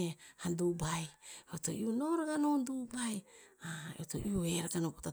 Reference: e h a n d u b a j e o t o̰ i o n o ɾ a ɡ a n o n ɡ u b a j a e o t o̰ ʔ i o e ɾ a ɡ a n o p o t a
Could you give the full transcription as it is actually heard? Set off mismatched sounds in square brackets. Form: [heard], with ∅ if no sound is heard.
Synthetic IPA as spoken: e h a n d u b a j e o t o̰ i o n o ɾ a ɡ a n o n [d] u b a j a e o t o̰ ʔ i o e ɾ a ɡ a n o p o t a

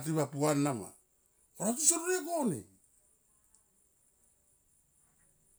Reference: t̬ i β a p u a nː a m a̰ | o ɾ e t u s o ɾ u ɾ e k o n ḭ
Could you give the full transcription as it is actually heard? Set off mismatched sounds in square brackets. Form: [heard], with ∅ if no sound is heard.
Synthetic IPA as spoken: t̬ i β a p u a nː a m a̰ | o ɾ [a] t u s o ɾ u ɾ e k o n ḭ

